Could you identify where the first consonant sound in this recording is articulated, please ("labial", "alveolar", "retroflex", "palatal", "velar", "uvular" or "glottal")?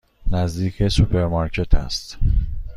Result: alveolar